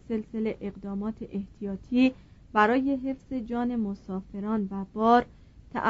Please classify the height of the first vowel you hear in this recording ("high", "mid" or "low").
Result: mid